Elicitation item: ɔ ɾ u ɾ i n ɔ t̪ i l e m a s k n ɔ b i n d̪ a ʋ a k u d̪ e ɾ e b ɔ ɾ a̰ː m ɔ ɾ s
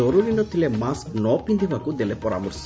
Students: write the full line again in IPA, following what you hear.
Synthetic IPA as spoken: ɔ ɾ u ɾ i n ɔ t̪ i l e m a s k n ɔ p i n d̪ i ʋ a k u d̪ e l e p ɔ ɾ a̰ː m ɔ ɾ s